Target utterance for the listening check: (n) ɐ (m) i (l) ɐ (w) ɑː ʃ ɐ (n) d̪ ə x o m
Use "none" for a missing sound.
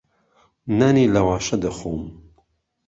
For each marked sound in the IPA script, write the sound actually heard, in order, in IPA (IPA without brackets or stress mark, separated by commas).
n, n, l, w, none